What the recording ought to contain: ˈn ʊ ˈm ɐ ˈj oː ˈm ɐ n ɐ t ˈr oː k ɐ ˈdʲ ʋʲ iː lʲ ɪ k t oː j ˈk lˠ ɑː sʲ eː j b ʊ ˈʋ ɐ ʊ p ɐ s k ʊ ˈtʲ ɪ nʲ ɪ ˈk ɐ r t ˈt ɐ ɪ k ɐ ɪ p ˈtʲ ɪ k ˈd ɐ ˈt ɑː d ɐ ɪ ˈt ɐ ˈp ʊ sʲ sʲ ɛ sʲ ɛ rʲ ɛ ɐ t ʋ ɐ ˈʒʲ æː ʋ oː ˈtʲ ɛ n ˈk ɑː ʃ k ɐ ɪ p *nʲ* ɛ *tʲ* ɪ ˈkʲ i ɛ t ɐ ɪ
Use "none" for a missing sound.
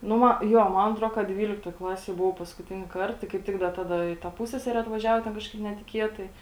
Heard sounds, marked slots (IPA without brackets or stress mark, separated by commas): nʲ, tʲ